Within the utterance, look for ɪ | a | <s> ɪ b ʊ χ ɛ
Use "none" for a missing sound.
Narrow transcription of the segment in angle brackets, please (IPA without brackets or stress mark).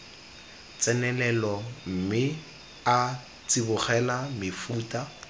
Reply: t͡s